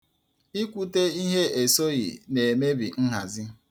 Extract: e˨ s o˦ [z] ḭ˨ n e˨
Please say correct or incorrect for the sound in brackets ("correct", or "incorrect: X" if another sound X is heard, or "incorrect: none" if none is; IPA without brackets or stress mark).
incorrect: ɣ